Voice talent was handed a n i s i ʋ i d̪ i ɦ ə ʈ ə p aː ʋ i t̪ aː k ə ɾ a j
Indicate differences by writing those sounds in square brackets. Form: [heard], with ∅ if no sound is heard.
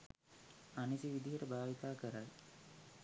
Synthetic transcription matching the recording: a n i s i ʋ i d̪ i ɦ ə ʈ ə [b] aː ʋ i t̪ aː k ə ɾ a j